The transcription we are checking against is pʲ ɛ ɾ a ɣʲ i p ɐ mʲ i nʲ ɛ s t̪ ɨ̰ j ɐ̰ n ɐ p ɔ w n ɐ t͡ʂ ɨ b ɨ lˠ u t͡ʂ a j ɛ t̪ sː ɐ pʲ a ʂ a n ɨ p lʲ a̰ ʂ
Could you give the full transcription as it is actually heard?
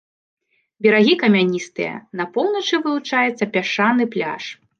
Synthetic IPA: bʲ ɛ ɾ a ɣʲ i k ɐ mʲ a nʲ i s t̪ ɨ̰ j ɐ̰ n ɐ p ɔ w n ɐ t͡ʂ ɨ v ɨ lˠ u t͡ʂ a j ɛ t̪ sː ɐ pʲ a ʂ a n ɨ p lʲ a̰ ʂ